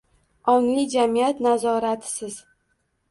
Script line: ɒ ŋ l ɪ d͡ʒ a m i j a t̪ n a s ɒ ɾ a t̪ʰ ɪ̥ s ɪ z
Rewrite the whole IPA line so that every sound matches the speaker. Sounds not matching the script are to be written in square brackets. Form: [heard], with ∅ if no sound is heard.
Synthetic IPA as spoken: ɒ ŋ l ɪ d͡ʒ a m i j a t̪ n a [z] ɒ ɾ a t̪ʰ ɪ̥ s ɪ z